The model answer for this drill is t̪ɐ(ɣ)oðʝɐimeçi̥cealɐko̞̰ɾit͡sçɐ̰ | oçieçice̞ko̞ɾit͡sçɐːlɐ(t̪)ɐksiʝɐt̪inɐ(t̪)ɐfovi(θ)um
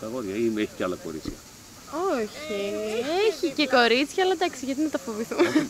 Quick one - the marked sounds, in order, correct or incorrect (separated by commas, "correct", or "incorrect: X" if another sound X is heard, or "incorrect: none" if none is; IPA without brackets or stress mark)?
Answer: correct, incorrect: d̪, correct, correct